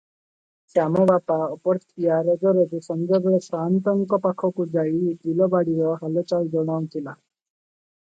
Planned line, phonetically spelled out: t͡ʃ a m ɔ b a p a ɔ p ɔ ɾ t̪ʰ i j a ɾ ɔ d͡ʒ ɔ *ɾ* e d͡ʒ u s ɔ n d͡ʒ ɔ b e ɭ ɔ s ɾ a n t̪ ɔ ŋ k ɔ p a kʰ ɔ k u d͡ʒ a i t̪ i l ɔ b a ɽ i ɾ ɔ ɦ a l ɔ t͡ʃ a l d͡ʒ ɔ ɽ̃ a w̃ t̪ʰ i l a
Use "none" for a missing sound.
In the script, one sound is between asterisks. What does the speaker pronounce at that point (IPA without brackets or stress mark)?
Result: ɾ